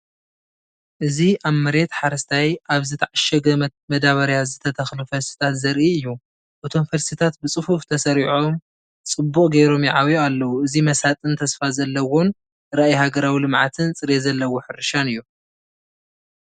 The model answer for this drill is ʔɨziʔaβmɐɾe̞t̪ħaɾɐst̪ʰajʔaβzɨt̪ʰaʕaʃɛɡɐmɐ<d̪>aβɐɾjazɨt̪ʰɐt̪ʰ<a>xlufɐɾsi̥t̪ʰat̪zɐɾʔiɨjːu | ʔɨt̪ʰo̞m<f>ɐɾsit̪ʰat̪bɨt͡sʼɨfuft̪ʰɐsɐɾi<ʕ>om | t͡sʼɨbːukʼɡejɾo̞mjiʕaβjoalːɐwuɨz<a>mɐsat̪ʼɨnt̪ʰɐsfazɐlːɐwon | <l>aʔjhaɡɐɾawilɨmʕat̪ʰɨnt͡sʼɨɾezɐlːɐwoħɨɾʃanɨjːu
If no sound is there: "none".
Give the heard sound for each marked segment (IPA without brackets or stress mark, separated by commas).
d̪, ɐ, f, ʕ, i, ɾ